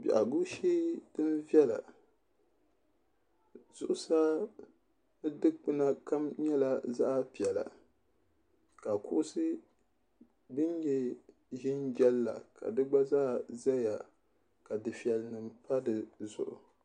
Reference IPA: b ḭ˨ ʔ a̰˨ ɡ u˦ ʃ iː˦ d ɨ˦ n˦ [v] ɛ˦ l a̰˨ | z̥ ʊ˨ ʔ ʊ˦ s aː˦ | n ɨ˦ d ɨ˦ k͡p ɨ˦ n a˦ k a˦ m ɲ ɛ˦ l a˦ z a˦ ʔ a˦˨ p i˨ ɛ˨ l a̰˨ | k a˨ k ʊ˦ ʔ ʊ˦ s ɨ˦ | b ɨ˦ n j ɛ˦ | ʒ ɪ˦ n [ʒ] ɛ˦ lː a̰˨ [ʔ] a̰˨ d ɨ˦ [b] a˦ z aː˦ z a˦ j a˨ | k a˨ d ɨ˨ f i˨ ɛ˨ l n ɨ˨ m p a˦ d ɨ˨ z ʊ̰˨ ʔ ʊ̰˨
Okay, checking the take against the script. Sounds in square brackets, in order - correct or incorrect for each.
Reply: correct, incorrect: d͡ʒ, incorrect: k, incorrect: ɡ͡b

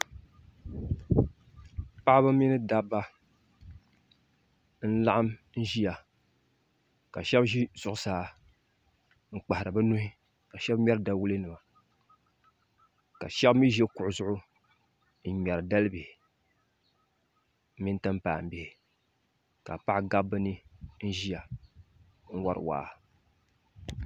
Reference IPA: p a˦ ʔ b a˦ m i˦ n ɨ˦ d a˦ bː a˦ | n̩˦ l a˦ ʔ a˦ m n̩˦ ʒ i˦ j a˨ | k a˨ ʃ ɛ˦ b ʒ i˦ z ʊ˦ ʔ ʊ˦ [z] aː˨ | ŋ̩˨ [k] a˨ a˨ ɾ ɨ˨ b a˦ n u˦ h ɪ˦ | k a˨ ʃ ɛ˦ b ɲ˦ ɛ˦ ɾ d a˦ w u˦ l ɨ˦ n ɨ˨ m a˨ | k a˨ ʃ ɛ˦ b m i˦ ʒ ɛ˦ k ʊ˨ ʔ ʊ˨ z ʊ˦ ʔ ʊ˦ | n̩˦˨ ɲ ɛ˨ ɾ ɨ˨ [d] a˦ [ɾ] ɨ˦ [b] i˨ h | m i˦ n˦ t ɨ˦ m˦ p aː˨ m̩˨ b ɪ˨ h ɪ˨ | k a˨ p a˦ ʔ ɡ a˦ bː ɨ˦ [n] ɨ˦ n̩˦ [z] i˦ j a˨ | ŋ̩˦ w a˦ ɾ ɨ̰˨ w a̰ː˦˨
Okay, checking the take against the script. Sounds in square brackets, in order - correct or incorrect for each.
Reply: incorrect: s, incorrect: k͡p, correct, incorrect: l, correct, correct, incorrect: ʒ

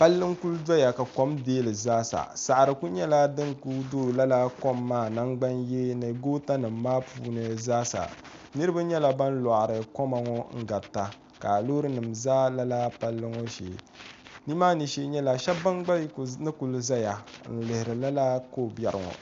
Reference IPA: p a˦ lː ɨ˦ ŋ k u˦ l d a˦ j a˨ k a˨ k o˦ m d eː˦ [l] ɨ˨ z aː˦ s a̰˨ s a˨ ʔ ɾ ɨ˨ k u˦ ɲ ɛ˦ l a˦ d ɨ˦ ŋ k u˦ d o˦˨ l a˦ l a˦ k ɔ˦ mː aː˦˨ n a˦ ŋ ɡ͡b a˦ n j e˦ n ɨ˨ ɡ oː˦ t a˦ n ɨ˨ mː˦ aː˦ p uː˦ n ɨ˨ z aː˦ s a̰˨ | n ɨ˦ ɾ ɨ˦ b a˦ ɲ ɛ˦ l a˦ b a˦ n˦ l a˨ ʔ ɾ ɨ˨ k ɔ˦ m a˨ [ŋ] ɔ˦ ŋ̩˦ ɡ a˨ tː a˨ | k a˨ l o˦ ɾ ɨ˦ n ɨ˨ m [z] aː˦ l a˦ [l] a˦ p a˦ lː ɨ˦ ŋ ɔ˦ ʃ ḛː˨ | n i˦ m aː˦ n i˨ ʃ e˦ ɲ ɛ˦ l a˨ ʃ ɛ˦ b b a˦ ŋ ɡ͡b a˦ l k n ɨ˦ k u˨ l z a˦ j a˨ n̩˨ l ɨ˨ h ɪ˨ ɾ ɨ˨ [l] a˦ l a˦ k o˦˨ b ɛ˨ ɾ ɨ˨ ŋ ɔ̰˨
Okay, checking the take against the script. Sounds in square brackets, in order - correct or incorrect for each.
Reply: correct, correct, correct, correct, correct

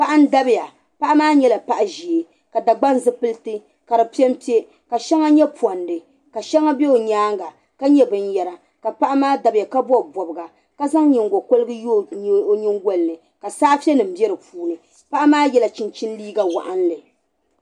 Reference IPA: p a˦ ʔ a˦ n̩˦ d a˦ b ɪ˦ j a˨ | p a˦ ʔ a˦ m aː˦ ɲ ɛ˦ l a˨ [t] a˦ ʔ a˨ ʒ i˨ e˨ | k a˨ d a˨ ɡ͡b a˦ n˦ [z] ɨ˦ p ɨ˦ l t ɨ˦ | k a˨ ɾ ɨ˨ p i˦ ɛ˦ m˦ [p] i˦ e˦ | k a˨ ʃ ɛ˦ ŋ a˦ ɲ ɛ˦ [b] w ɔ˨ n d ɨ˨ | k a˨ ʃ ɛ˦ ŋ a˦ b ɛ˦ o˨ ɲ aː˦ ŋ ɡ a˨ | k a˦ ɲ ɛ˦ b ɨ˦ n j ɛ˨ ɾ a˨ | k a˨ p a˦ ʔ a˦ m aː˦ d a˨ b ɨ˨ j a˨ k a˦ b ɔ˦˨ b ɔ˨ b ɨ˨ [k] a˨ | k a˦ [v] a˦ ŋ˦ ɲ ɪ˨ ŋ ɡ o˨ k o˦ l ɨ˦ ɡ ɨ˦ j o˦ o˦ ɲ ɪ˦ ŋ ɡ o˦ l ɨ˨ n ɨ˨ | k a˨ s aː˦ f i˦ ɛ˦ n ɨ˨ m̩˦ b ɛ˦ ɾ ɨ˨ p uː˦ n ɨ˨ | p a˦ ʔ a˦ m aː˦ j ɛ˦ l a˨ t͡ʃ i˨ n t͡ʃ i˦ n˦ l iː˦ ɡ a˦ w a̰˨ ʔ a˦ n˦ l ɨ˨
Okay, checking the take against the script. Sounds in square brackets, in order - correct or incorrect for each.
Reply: incorrect: p, correct, correct, incorrect: p, incorrect: ɡ, incorrect: z

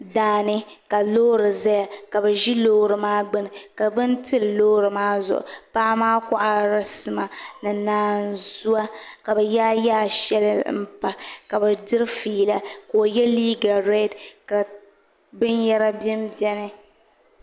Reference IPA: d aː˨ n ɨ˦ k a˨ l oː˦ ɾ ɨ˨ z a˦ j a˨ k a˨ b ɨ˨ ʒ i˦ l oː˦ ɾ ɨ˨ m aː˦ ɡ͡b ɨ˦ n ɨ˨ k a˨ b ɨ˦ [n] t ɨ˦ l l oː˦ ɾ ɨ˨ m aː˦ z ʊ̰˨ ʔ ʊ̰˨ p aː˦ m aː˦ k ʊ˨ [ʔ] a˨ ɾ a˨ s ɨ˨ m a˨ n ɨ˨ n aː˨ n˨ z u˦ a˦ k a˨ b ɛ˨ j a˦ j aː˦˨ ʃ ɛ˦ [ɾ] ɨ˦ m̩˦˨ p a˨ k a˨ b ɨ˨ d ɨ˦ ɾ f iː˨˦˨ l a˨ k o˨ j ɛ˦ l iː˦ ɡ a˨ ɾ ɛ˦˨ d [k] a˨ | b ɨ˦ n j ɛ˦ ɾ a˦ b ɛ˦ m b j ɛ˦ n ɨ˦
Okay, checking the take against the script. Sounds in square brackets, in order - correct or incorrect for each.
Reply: correct, correct, incorrect: l, correct

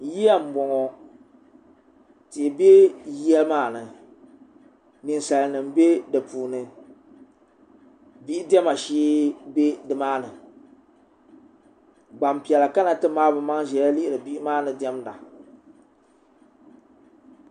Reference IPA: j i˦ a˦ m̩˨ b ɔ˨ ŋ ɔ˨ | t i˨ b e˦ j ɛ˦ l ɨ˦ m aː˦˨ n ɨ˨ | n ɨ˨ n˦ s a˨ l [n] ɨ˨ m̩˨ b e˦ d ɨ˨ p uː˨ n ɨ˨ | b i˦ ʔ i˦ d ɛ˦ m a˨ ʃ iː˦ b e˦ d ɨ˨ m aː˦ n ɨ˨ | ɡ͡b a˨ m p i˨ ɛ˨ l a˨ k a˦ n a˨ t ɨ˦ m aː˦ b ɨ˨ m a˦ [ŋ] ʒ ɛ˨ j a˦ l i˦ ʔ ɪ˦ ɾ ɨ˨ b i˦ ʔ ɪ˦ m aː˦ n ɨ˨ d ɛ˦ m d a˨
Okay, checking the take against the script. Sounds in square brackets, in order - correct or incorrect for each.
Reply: correct, correct

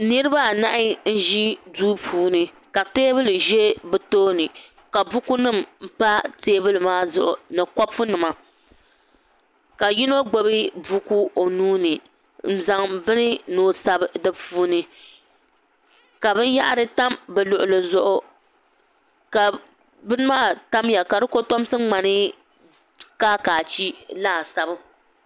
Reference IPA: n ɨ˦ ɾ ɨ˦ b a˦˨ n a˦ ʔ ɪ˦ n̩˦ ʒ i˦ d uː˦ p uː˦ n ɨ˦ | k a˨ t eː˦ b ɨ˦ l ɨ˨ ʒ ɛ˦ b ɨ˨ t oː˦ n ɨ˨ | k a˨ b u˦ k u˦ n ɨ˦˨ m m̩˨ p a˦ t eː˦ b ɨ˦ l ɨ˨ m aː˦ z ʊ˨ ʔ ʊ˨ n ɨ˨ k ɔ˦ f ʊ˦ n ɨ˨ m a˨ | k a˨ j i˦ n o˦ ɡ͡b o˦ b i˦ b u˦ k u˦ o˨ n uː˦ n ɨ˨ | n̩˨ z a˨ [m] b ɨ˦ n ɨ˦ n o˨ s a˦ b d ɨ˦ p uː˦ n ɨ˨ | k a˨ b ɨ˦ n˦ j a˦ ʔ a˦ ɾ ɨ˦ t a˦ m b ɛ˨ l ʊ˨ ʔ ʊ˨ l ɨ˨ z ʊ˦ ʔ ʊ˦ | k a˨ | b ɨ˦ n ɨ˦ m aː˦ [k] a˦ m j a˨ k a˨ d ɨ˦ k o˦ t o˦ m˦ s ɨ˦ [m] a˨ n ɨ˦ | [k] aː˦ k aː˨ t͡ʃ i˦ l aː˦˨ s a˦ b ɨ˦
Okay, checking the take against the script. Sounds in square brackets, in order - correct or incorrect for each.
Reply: incorrect: ŋ, incorrect: t, incorrect: ŋ͡m, correct

